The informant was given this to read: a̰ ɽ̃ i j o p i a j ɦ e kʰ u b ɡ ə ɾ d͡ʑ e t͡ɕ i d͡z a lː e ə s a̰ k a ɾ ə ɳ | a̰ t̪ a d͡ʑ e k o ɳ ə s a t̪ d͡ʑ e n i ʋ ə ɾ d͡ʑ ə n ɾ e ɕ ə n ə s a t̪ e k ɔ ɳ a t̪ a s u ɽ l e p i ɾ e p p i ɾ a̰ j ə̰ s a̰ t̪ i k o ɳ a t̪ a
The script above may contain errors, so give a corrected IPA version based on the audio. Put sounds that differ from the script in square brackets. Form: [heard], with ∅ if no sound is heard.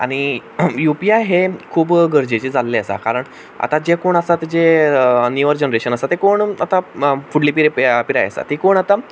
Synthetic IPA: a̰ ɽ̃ i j [u] p i a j ɦ e kʰ [uː] b ɡ ə ɾ d͡ʑ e t͡ɕ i d͡z a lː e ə s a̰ k a ɾ ə ɳ | a̰ t̪ a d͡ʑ e k o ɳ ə s a t̪ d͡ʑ e n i ʋ ə ɾ d͡ʑ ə n ɾ e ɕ ə n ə s a t̪ e k [o] ɳ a t̪ a [f] u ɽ l [i] p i ɾ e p p i ɾ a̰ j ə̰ s a̰ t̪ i k o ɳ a t̪ a